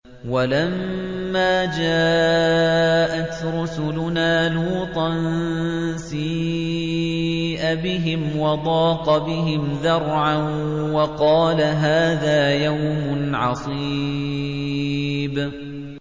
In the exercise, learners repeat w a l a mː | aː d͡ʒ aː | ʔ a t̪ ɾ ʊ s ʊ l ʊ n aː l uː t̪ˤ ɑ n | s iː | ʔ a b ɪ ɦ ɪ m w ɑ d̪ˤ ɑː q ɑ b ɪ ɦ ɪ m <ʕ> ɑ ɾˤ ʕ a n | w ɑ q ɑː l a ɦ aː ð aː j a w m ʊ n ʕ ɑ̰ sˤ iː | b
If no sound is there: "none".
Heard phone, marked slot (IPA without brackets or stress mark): ð